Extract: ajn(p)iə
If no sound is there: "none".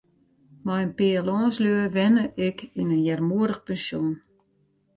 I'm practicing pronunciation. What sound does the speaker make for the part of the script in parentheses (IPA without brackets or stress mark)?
p